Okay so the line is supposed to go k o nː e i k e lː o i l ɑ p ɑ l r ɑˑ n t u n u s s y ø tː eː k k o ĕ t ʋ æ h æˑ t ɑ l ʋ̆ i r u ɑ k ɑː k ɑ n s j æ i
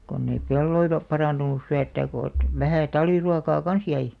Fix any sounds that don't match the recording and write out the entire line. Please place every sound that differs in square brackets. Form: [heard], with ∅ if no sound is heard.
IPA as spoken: k o nː e i [p] e lː o i l ɑ p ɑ [∅] r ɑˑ n t u n u s s y ø tː [æː] k k o ĕ t ʋ æ h æˑ t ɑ l ʋ̆ i r u ɑ k ɑː k ɑ n s j æ i